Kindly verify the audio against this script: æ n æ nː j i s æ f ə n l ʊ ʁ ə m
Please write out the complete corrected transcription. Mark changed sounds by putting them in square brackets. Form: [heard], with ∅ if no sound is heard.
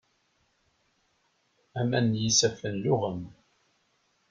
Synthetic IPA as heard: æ [m] æ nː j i s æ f ə n l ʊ ʁ ə m